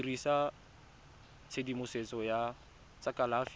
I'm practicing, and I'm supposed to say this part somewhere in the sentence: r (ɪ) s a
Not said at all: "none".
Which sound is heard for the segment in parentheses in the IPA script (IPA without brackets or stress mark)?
i